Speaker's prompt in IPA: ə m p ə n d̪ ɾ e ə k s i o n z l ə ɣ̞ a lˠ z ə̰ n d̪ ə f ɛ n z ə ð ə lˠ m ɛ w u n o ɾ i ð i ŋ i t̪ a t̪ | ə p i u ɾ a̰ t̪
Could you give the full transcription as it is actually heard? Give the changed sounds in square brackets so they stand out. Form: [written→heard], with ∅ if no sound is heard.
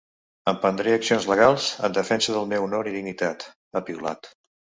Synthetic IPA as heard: ə m p ə n d̪ ɾ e ə k s i o n z l ə ɣ̞ a lˠ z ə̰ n d̪ ə f ɛ n [z→s] ə ð ə lˠ m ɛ w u n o ɾ i ð i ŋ i t̪ a t̪ | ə p i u [ɾ→l] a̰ t̪

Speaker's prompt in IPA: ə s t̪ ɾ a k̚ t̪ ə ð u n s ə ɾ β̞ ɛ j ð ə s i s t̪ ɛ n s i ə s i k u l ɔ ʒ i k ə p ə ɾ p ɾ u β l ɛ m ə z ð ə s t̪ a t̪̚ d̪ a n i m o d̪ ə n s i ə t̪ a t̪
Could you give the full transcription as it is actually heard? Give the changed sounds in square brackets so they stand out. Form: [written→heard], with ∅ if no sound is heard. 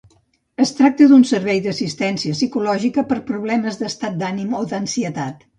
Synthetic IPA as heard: ə s t̪ ɾ a k̚ t̪ ə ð u n s ə ɾ β̞ ɛ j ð ə s i s t̪ ɛ n s i ə s i k u l ɔ ʒ i k ə p ə ɾ p ɾ u β l ɛ m ə z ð ə s t̪ a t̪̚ d̪ a n i m o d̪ ə n s i ə t̪ a t̪

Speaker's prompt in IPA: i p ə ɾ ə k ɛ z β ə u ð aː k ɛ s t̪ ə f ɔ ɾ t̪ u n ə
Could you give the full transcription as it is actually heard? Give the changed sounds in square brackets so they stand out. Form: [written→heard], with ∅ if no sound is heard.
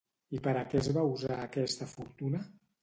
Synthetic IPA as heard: i p ə ɾ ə k ɛ z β [ə→a] u [ð→z] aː k ɛ s t̪ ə f [ɔ→u] ɾ t̪ u n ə

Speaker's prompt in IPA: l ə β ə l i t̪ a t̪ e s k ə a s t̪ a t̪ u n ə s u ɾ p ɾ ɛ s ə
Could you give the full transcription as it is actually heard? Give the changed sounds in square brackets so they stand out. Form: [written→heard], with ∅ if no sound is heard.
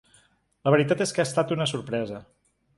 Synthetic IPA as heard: l ə β ə [l→ɾ] i t̪ a t̪ e s k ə a s t̪ a t̪ u n ə s u ɾ p ɾ ɛ [s→z] ə

